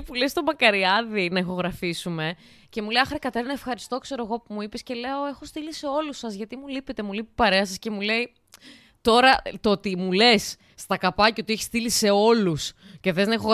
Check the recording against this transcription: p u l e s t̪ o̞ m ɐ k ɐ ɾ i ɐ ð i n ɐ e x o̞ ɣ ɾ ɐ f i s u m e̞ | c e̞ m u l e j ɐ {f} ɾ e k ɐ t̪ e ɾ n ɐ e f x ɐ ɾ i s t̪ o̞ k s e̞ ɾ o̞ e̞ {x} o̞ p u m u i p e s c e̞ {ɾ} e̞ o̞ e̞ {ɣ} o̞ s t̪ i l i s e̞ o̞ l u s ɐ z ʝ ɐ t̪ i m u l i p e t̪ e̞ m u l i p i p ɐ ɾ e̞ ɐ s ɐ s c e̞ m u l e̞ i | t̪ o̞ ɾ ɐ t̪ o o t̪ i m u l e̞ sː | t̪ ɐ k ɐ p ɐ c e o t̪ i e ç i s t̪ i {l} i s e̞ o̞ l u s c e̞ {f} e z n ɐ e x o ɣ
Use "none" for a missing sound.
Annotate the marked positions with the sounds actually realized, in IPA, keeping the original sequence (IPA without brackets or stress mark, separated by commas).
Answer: x, ɣ, l, x, l, θ